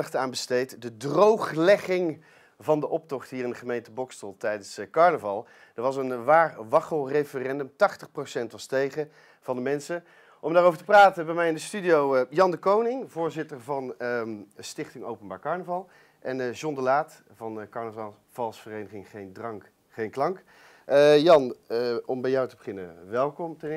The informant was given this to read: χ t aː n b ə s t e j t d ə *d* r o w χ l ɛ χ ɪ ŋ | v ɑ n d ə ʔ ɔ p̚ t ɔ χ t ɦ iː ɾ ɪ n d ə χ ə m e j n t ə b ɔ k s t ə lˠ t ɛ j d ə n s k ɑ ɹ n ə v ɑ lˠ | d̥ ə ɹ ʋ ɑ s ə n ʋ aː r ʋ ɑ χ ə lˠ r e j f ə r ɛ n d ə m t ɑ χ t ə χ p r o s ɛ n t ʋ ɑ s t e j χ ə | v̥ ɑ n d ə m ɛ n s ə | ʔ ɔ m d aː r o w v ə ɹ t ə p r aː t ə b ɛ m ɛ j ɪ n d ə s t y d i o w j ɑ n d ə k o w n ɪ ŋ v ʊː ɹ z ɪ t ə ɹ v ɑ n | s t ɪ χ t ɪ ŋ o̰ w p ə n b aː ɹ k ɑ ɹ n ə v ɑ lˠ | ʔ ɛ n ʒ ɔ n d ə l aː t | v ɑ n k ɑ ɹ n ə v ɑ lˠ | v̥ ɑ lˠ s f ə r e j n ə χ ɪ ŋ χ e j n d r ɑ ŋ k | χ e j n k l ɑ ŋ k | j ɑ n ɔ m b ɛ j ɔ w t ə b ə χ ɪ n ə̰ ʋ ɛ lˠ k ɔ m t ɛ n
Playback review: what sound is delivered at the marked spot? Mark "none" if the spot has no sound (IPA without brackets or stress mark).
d